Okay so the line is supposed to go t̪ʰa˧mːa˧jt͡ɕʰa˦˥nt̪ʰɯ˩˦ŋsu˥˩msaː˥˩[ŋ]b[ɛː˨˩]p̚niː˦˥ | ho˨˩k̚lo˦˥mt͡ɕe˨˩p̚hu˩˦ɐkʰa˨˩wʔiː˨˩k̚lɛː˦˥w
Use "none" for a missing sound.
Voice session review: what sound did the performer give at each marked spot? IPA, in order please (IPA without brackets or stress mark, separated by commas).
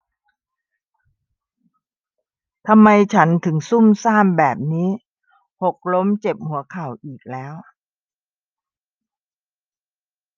m, ɛː˨˩